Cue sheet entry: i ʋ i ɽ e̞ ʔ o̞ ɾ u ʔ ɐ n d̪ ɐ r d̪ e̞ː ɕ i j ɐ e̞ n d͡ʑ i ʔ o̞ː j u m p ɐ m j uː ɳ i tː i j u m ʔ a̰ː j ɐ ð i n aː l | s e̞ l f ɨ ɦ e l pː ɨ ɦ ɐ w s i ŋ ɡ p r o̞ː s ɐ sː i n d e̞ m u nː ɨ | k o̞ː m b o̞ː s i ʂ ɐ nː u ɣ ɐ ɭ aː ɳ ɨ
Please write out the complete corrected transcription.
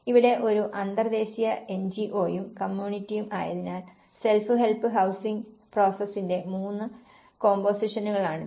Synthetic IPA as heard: i ʋ i ɽ e̞ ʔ o̞ ɾ u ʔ ɐ n d̪ ɐ r d̪ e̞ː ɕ i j ɐ e̞ n d͡ʑ i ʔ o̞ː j u m k ɐ m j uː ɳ i tː i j u m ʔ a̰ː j ɐ ð i n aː l | s e̞ l f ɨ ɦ e l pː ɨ ɦ ɐ w s i ŋ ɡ p r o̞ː s ɐ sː i n d e̞ m uː nː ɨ | k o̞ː m b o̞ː s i ʂ ɐ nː u ɣ ɐ ɭ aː ɳ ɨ

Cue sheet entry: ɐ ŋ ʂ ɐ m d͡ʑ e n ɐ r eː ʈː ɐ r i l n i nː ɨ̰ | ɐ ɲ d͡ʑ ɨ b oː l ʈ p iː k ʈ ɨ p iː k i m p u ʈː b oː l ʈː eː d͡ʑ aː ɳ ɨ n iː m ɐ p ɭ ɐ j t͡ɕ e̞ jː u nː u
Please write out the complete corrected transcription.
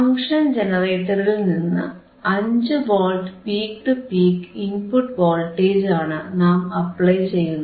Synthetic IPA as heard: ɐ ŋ ʂ ɐ n d͡ʑ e n ɐ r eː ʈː ɐ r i l n i nː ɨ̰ | ɐ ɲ d͡ʑ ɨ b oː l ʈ p iː k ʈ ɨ p iː k i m p u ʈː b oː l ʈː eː d͡ʑ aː ɳ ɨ n aː m ɐ p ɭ ɐ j t͡ɕ e̞ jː u nː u

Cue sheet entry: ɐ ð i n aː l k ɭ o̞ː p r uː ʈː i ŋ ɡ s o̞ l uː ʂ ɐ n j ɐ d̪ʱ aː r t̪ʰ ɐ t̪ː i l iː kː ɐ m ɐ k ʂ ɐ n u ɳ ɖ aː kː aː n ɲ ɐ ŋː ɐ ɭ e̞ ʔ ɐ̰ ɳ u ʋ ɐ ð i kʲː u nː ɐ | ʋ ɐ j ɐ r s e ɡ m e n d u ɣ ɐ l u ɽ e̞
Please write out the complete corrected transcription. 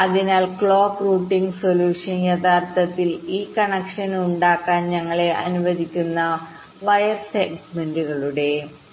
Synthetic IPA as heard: ɐ ð i n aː l k ɭ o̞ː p r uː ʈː i ŋ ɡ s o̞ l uː ʂ ɐ n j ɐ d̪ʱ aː r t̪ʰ ɐ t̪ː i l iː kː ɐ ɳ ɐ k ʂ ɐ n u ɳ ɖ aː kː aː n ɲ ɐ ŋː ɐ ɭ e̞ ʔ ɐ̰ n u ʋ ɐ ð i kʲː u nː ɐ | ʋ ɐ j ɐ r s e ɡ m e n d u ɣ ɐ ɭ u ɽ e̞

